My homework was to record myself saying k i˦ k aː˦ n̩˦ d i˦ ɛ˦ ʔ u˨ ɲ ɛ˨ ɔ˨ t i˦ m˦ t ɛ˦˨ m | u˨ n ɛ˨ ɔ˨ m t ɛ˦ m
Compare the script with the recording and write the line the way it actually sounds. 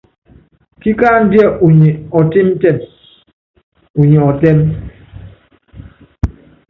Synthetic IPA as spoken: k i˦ k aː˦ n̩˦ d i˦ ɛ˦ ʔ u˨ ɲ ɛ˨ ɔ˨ t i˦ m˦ t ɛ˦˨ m | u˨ ɲ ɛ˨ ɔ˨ t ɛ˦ m